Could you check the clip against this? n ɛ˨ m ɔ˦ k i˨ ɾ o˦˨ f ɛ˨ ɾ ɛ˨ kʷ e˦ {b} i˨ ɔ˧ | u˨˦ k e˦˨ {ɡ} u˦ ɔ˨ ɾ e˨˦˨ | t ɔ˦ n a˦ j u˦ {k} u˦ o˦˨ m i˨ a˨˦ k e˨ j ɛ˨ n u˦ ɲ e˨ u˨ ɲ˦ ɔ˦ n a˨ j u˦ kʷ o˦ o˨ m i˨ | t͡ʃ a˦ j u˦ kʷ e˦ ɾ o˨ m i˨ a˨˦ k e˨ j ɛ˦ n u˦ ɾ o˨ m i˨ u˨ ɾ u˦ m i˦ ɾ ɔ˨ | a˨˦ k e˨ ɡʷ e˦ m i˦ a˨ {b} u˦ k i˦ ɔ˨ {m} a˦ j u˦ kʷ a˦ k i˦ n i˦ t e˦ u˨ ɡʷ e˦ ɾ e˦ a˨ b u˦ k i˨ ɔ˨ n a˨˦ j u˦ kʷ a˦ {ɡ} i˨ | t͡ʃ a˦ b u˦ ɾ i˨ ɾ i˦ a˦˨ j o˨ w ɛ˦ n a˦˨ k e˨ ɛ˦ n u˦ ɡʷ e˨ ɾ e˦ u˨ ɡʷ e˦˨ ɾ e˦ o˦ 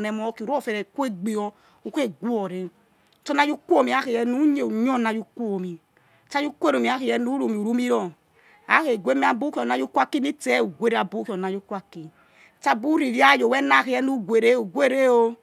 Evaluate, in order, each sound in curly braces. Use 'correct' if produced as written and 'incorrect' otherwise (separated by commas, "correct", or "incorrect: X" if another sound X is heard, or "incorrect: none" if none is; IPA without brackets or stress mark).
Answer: incorrect: ɡ͡b, correct, correct, correct, incorrect: n, incorrect: k